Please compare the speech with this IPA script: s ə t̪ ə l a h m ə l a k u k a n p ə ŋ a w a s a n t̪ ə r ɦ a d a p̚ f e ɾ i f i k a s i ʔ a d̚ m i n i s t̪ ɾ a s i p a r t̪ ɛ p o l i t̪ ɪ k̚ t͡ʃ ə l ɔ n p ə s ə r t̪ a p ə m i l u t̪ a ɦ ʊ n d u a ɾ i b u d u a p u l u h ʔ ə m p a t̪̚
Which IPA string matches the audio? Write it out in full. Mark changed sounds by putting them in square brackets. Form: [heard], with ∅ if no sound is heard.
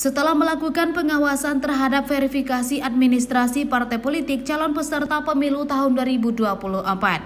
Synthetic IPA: s ə t̪ ə l a h m ə l a k u k a n p ə ŋ a w a s a n t̪ ə r ɦ a d a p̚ f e ɾ i f i k a s i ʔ a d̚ m i n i s t̪ ɾ a s i p a r t̪ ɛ p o l i t̪ ɪ k̚ t͡ʃ [a] l ɔ n p ə s ə r t̪ a p ə m i l u t̪ a ɦ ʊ n d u a ɾ i b u d u a p u l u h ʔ ə m p a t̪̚